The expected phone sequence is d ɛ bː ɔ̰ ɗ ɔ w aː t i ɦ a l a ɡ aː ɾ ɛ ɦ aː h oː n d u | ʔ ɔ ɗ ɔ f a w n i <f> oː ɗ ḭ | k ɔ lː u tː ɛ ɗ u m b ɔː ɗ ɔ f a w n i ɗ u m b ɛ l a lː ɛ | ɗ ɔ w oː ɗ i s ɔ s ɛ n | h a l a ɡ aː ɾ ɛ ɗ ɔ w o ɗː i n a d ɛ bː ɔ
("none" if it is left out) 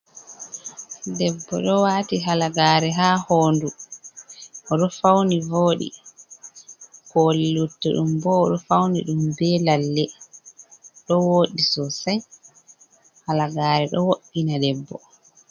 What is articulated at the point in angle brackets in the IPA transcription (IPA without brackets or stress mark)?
v